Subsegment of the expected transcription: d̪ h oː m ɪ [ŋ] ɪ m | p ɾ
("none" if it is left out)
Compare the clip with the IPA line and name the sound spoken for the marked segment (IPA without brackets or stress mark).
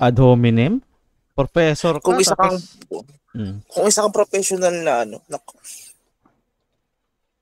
n